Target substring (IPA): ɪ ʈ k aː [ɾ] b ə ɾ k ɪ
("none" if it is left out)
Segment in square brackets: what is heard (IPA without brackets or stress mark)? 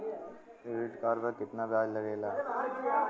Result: ɾ